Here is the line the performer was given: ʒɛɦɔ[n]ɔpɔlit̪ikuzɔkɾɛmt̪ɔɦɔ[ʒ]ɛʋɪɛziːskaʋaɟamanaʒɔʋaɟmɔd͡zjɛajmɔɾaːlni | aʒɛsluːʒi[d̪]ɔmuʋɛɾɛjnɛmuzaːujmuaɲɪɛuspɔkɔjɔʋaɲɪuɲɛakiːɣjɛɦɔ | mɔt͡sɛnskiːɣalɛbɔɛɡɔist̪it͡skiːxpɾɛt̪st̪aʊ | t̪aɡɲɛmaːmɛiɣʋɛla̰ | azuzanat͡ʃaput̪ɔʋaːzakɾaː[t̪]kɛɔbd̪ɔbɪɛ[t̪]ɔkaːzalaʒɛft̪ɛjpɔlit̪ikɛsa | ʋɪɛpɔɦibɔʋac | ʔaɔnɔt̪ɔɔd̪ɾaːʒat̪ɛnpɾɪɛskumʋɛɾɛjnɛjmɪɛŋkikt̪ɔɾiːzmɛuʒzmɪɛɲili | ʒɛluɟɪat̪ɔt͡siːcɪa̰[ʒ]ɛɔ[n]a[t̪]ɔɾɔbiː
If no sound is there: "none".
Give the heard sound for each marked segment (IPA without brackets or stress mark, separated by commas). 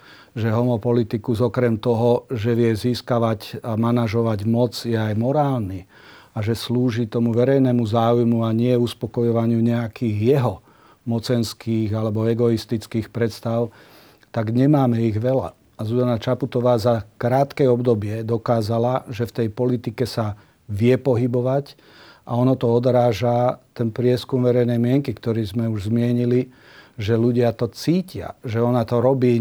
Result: m, ʒ, t̪, t̪, d̪, ʒ, n, t̪